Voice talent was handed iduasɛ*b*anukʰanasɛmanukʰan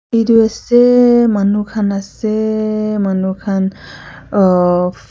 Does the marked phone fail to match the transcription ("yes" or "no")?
yes